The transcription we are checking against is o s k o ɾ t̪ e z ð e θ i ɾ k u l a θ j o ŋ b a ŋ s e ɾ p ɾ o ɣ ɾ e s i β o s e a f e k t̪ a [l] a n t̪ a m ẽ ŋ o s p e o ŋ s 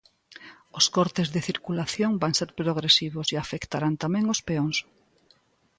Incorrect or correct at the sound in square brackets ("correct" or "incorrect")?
incorrect